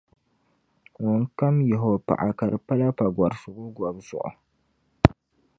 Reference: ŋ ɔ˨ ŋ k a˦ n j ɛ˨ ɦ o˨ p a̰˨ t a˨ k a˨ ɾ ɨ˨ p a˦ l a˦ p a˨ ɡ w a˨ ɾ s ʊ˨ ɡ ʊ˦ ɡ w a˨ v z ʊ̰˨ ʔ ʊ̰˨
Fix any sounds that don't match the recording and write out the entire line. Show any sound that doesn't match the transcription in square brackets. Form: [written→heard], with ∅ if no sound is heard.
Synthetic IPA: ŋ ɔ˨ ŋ k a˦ [n→m] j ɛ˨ ɦ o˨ p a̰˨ [t→ʔ] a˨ k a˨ ɾ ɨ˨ p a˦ l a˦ p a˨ ɡ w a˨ ɾ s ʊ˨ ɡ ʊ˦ ɡ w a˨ [v→b] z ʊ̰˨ ʔ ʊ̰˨